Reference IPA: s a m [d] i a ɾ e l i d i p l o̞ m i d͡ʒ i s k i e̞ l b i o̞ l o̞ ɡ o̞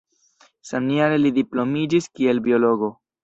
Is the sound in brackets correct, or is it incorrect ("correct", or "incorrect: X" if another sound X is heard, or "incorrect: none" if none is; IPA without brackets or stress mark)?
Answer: incorrect: n